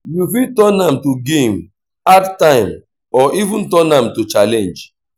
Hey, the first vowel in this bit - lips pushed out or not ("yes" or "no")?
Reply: yes